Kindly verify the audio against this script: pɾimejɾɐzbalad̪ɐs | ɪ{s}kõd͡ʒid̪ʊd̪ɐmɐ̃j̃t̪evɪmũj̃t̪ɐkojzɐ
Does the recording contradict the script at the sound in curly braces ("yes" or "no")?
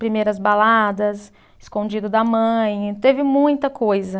no